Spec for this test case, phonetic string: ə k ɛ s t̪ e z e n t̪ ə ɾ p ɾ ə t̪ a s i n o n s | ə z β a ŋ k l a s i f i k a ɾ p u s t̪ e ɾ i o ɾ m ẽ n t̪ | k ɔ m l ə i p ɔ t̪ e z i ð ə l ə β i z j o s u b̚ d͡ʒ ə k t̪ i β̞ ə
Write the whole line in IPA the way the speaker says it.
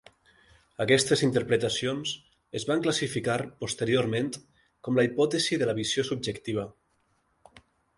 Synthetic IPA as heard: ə k ɛ s t̪ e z i n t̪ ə ɾ p ɾ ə t̪ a s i o n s | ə z β a ŋ k l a s i f i k a ɾ p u s t̪ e ɾ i o ɾ m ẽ n t̪ | k ɔ m l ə i p ɔ t̪ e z i ð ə l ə β i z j o s u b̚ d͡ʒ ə k t̪ i β̞ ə